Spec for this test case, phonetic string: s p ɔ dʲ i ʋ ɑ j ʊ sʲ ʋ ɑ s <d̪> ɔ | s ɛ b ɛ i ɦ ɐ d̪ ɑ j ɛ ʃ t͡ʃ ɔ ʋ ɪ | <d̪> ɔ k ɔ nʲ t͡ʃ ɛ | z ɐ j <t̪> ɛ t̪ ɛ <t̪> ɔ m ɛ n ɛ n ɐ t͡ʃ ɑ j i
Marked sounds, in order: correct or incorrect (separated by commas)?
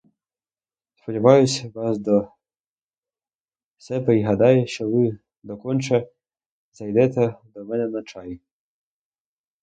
correct, correct, incorrect, incorrect